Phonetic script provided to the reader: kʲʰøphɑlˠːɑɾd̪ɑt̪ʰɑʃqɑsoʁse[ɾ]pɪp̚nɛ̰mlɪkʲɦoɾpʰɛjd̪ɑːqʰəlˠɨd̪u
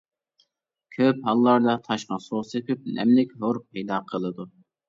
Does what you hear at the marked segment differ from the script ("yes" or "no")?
yes